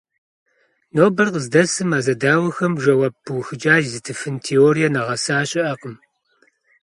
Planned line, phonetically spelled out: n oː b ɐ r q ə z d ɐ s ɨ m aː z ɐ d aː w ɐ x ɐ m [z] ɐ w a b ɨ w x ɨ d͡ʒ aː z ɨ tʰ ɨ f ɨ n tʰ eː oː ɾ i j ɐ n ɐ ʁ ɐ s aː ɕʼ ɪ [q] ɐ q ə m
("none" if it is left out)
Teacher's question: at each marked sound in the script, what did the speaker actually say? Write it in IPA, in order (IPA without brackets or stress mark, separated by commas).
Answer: ʒ, ʔ